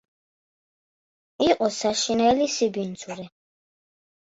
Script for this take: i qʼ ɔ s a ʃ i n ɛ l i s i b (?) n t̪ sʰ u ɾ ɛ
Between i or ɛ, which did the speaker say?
i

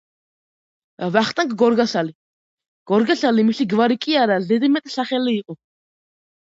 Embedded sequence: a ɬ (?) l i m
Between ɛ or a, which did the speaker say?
a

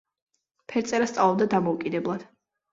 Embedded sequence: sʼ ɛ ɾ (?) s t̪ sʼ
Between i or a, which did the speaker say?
a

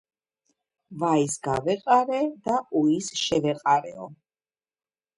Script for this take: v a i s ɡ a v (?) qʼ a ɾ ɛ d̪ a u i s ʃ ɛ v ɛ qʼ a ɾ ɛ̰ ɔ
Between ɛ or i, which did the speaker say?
ɛ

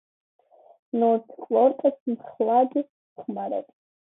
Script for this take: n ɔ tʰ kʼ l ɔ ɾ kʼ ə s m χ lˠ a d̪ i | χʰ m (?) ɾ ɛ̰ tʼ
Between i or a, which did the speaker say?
a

